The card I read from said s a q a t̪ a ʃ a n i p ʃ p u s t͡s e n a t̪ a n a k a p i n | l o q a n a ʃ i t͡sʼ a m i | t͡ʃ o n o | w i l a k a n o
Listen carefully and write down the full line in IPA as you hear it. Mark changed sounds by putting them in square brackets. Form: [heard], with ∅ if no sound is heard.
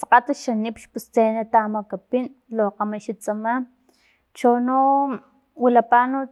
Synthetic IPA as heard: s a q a t̪ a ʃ a n i p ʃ p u s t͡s e n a t̪ a [m] a k a p i n | l o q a [m] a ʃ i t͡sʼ a m [a] | t͡ʃ o n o | w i l a [p] a n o